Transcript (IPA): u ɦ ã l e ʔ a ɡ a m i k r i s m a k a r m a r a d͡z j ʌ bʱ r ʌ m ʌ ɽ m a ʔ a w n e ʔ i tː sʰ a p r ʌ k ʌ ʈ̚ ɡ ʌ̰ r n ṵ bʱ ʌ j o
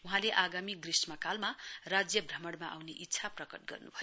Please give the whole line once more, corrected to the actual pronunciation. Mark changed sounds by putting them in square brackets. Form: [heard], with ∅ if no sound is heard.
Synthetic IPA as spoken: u ɦ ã l e ʔ a ɡ a m i [ɡ] r i s m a k a [l] m a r a d͡z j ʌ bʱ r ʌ m ʌ ɽ m a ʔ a w n e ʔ i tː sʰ a p r ʌ k ʌ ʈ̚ ɡ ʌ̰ r n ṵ bʱ ʌ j o